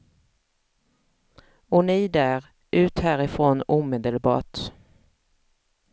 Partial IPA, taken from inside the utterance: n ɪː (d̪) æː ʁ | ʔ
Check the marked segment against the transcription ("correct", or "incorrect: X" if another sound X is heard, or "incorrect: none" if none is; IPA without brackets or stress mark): correct